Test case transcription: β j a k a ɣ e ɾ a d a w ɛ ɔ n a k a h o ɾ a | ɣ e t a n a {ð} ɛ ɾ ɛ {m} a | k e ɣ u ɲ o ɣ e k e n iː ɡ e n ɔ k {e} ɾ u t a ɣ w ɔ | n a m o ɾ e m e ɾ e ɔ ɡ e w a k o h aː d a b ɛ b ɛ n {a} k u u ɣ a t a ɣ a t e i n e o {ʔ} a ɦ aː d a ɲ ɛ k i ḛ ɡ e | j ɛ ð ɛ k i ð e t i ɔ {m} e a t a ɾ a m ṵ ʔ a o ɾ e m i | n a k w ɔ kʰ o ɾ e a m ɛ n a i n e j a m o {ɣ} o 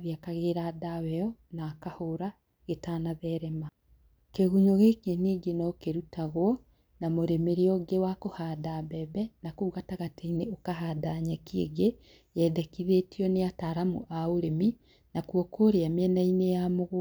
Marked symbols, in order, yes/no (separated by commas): yes, yes, yes, yes, no, no, yes